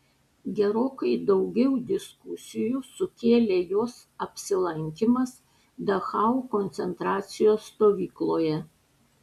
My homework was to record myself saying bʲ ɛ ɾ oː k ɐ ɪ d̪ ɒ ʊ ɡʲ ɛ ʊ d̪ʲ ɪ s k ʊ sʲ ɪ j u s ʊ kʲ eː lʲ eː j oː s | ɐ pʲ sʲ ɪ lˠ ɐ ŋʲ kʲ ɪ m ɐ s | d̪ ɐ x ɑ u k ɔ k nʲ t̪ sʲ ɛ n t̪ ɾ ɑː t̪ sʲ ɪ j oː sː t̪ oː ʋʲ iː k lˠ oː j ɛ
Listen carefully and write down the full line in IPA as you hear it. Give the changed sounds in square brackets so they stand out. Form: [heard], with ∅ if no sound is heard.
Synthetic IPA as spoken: [ɡʲ] ɛ ɾ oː k ɐ ɪ d̪ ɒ ʊ ɡʲ ɛ ʊ d̪ʲ ɪ s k ʊ sʲ ɪ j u s ʊ kʲ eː lʲ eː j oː s | ɐ pʲ sʲ ɪ lˠ ɐ ŋʲ kʲ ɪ m ɐ s | d̪ ɐ x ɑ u k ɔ [∅] nʲ t̪ sʲ ɛ n t̪ ɾ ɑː t̪ sʲ ɪ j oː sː t̪ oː ʋʲ iː k lˠ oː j ɛ